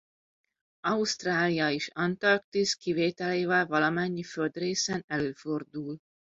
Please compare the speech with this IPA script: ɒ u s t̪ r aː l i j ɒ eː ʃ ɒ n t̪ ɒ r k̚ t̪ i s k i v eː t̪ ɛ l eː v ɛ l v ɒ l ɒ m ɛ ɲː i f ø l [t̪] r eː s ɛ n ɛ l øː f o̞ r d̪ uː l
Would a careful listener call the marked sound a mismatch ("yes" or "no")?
yes